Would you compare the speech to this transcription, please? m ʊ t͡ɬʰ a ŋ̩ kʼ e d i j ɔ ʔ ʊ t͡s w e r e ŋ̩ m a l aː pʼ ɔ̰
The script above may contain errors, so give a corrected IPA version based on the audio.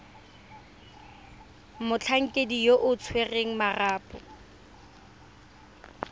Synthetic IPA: m ʊ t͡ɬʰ a ŋ̩ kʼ e d i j o ʔ ʊ t͡sʰ w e r e ŋ̩ m a r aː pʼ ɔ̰